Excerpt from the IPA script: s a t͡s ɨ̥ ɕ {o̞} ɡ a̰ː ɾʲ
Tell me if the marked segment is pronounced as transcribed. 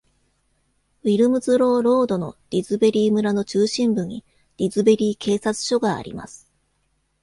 yes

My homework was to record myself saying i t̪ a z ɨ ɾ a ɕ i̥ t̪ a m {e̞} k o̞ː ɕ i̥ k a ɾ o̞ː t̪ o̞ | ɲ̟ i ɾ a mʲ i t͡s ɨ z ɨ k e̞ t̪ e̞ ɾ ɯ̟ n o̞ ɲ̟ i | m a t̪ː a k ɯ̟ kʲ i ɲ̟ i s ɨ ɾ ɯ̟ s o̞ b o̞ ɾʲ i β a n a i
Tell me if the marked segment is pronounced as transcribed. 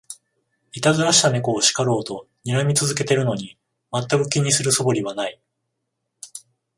yes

